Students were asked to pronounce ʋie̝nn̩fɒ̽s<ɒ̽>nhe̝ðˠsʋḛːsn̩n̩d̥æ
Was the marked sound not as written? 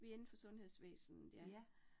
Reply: yes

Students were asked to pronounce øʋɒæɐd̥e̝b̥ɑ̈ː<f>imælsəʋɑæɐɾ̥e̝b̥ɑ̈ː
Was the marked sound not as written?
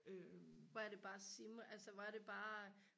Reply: yes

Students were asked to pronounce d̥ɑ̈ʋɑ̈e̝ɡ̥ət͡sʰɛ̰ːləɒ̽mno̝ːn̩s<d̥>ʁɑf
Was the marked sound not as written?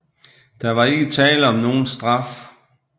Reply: no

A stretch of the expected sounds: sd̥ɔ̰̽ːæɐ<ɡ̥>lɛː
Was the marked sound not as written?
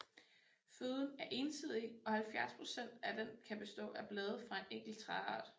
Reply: yes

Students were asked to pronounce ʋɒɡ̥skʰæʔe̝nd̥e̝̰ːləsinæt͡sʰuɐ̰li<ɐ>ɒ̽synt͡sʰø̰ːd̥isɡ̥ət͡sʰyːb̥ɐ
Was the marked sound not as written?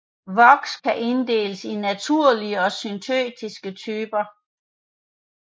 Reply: yes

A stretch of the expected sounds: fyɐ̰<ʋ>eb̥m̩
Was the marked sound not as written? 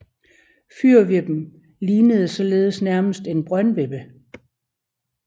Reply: no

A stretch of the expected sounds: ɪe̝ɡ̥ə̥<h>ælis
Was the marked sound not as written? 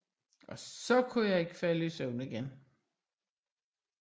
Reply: yes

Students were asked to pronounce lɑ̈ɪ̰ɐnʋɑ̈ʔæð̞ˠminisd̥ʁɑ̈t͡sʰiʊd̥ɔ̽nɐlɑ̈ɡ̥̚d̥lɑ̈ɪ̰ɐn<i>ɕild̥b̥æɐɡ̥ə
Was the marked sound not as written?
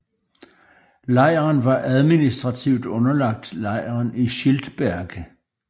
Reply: no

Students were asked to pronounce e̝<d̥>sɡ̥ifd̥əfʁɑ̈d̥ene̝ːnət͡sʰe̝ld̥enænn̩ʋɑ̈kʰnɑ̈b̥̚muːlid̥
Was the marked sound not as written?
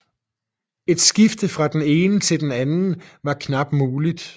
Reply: no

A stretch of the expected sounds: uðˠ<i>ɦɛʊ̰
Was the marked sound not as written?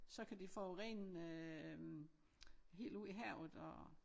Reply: no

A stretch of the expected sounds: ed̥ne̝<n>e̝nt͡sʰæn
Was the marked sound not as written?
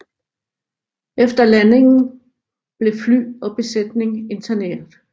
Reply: yes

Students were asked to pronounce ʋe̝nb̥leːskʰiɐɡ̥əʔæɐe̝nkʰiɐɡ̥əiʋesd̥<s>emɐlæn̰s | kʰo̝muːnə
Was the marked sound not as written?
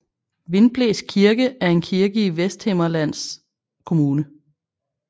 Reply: yes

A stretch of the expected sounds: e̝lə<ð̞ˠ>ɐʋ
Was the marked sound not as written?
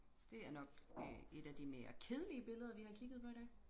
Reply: no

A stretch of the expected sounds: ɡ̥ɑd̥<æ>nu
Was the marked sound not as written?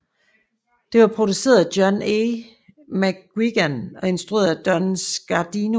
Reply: yes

